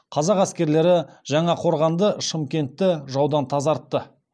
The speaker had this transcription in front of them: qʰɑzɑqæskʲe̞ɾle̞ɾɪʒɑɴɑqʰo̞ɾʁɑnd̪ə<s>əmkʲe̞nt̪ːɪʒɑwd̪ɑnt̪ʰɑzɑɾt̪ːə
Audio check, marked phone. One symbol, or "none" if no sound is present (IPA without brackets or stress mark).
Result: ʃ